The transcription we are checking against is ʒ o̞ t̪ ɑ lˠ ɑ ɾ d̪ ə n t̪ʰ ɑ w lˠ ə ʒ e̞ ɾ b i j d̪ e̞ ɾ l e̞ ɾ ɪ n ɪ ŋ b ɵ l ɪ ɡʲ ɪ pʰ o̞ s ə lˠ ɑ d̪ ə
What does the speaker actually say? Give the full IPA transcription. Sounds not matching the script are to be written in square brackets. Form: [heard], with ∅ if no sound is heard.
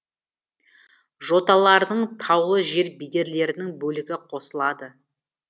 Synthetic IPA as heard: ʒ o̞ t̪ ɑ lˠ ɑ ɾ d̪ ə [ɴ] t̪ʰ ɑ w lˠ ə ʒ e̞ ɾ b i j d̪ e̞ ɾ l e̞ ɾ ɪ n ɪ ŋ b ɵ l ɪ ɡʲ ɪ [qʰ] o̞ s ə lˠ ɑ d̪ ə